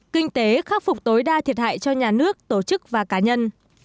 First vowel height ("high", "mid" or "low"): high